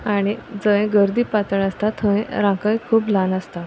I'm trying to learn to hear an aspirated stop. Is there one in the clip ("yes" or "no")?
yes